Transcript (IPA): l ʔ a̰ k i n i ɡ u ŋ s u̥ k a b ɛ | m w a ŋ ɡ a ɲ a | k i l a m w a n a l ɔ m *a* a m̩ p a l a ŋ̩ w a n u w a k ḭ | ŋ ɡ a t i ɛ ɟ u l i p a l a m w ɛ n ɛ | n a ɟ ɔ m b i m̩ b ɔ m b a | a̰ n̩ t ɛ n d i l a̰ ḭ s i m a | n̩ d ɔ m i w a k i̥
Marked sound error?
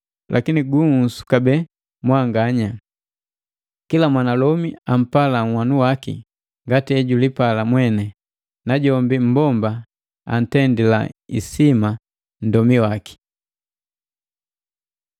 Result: yes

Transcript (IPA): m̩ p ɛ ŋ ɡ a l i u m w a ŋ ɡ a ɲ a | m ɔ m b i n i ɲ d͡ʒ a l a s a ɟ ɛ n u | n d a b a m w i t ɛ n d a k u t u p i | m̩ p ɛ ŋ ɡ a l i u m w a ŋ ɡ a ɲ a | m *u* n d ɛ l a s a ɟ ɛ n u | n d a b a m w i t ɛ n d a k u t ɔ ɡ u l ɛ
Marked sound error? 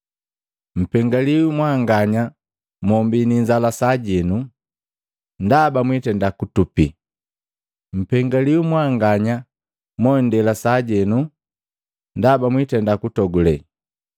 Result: yes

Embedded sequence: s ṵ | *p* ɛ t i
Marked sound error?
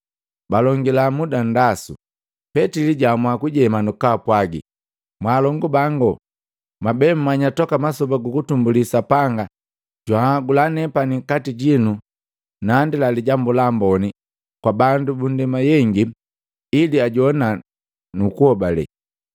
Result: no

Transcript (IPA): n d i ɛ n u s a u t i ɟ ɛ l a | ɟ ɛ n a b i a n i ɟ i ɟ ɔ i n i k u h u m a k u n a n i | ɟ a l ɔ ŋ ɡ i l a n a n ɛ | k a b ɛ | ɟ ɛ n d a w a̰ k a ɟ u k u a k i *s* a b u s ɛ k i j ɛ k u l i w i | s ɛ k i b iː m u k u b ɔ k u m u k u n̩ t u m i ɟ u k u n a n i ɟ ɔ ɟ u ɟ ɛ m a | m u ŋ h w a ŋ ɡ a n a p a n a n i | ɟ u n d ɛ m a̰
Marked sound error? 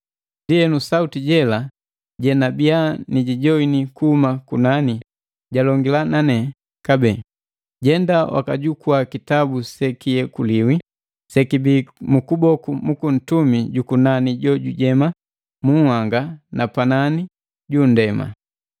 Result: yes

